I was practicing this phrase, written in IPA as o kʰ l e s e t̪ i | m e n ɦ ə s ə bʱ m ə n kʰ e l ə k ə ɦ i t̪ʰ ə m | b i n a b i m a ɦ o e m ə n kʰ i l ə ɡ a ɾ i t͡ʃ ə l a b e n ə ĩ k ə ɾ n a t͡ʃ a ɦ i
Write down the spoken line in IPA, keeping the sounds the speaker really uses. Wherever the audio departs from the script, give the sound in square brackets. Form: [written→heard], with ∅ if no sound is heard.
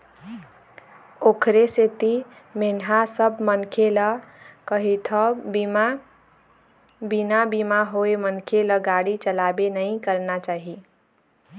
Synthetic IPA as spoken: o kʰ [l→ɾ] e s e t̪ i | m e n ɦ [ə→a] s ə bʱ m ə n kʰ e l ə k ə ɦ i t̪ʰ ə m | b i n a b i m a ɦ o e m ə n kʰ [i→e] l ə ɡ a [ɾ→ɽ] i t͡ʃ ə l a b e n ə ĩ k ə ɾ n a t͡ʃ a ɦ i